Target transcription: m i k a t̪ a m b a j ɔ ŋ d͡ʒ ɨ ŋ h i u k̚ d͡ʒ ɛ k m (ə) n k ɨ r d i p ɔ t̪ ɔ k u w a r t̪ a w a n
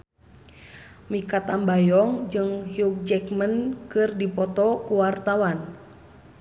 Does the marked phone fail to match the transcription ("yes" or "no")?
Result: no